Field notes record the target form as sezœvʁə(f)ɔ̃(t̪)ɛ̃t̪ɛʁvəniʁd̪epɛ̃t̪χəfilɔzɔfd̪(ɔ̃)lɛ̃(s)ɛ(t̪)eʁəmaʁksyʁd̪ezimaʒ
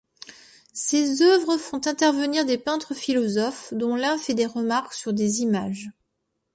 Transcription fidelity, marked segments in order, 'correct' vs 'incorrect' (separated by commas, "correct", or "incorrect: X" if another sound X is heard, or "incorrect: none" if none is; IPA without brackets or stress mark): correct, correct, correct, incorrect: f, incorrect: d̪